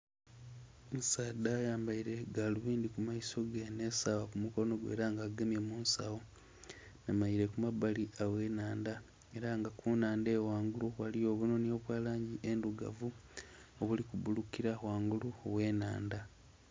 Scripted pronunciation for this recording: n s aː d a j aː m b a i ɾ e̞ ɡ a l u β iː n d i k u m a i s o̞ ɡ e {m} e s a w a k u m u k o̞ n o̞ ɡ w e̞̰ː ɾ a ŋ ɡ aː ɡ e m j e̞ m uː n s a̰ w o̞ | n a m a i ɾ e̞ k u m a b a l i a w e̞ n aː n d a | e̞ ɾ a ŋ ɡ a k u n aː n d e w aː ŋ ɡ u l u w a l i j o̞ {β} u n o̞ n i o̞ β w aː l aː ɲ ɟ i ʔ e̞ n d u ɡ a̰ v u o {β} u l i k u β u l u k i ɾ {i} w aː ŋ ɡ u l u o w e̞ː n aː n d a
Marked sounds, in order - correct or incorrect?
incorrect, correct, correct, incorrect

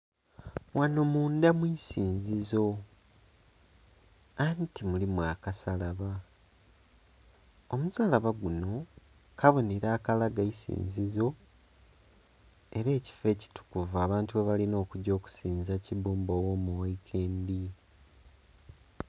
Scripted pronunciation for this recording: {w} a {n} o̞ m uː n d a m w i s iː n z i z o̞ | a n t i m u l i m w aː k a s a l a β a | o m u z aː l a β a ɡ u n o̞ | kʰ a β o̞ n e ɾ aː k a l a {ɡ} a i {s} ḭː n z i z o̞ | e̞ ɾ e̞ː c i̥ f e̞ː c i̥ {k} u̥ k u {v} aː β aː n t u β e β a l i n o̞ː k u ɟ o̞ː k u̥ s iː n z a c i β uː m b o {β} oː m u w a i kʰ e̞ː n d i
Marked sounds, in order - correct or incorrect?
correct, correct, correct, correct, incorrect, correct, incorrect

